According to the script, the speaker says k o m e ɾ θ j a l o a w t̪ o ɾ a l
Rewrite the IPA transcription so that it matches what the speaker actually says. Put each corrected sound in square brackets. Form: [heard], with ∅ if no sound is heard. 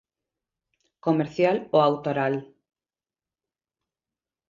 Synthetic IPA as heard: k o m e ɾ θ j a l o a w t̪ o ɾ a l